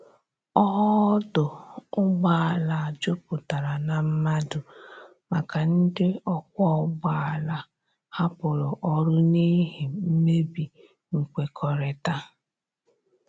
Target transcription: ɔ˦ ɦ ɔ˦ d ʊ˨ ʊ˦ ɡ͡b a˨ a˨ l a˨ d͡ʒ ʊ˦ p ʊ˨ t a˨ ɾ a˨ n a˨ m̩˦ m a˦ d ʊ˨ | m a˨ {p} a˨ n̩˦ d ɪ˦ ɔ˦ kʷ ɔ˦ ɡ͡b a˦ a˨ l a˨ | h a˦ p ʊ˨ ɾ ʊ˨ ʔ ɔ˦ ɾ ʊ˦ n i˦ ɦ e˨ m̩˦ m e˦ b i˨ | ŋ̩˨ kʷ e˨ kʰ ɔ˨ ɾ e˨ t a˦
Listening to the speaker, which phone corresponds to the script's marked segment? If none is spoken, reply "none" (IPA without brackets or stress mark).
k